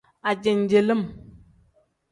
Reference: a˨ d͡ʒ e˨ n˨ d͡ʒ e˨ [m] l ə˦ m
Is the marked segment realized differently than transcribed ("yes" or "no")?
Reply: yes